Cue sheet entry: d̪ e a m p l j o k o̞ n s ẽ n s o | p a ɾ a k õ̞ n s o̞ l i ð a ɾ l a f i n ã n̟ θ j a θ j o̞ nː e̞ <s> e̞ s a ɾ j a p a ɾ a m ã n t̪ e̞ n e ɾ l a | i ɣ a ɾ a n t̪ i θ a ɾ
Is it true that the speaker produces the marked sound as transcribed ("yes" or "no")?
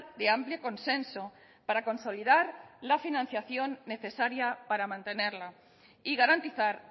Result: no